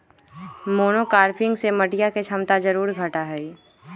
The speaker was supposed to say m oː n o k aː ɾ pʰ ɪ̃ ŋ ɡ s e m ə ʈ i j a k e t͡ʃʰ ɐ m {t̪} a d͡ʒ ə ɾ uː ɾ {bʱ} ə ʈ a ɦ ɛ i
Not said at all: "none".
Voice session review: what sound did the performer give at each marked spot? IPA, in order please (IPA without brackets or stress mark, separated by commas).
t̪, ɡʱ